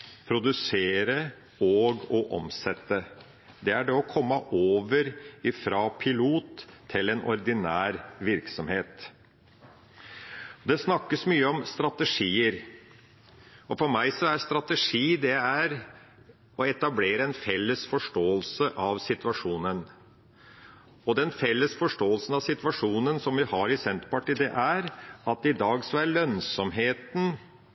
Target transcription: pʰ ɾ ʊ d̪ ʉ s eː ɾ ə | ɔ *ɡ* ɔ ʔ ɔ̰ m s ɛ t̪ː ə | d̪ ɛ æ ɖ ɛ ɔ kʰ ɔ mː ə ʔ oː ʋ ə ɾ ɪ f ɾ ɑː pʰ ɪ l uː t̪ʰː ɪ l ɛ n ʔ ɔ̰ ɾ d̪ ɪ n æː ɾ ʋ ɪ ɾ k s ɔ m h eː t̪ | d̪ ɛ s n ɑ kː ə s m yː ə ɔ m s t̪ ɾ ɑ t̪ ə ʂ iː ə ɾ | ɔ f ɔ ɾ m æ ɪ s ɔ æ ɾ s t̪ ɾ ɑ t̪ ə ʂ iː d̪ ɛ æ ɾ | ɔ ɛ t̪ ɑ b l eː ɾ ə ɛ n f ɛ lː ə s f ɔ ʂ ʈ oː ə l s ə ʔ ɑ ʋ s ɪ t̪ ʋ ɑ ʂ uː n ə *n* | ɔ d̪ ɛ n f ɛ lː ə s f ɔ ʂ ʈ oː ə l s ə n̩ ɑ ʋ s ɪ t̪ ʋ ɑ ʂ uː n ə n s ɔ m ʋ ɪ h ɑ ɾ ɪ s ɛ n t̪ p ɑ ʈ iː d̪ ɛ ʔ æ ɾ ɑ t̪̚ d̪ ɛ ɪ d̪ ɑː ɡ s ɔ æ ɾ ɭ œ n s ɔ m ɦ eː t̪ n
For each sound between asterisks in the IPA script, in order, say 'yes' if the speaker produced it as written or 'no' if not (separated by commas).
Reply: yes, yes